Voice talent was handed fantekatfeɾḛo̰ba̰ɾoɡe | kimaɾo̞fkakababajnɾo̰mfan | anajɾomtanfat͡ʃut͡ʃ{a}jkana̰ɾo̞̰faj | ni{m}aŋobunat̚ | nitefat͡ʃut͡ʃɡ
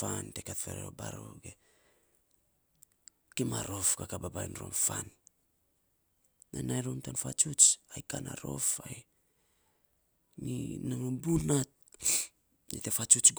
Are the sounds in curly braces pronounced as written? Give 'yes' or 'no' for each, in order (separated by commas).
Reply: yes, no